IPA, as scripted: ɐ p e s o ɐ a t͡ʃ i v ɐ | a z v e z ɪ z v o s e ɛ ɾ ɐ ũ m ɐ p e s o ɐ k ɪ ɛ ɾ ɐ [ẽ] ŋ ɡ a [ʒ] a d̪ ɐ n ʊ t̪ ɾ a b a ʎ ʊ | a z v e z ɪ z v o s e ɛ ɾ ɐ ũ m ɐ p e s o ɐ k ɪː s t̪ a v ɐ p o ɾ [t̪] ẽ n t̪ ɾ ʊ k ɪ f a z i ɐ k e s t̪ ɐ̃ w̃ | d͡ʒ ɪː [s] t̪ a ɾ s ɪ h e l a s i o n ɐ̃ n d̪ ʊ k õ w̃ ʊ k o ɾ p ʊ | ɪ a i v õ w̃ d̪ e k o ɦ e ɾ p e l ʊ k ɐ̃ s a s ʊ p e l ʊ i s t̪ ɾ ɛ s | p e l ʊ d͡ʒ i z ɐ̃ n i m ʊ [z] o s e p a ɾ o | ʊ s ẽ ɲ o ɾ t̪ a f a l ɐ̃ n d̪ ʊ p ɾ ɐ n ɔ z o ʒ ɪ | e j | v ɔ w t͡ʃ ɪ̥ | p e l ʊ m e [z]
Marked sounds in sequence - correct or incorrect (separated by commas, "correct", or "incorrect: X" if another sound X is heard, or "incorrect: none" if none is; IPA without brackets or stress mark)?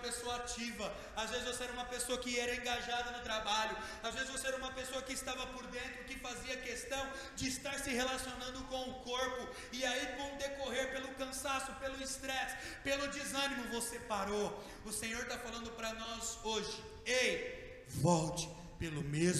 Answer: correct, correct, incorrect: d̪, correct, incorrect: v, correct